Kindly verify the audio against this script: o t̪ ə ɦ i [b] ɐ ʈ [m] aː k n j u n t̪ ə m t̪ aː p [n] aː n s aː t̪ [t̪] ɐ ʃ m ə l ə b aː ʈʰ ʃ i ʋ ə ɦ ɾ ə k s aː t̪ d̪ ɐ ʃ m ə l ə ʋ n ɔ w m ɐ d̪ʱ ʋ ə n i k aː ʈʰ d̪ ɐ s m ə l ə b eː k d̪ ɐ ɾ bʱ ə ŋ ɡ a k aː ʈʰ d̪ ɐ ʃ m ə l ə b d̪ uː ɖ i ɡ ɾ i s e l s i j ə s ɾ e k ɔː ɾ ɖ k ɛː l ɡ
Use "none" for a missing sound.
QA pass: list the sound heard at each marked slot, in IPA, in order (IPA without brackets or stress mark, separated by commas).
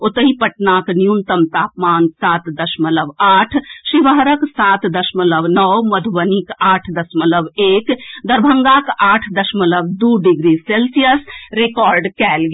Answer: p, n, m, d̪